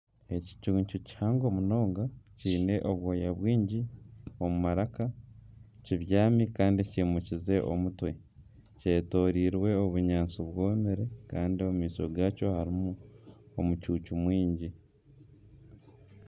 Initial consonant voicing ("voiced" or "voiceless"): voiceless